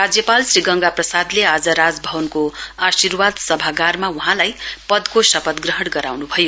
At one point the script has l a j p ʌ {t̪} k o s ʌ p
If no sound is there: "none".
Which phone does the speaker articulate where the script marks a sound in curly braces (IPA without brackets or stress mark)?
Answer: d̪